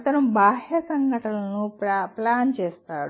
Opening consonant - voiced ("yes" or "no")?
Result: no